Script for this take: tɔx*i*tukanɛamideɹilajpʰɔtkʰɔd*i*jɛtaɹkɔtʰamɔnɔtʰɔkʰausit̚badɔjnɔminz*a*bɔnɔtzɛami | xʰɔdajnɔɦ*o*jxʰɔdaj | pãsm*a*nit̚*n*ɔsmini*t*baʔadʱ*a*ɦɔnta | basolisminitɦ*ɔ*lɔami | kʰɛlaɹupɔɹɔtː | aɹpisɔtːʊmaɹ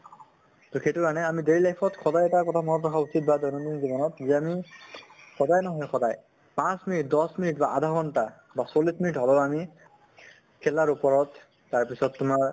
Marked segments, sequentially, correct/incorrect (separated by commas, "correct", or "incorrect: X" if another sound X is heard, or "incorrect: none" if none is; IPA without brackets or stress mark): incorrect: e, incorrect: a, incorrect: i, incorrect: ɔ, incorrect: i, incorrect: d, correct, correct, correct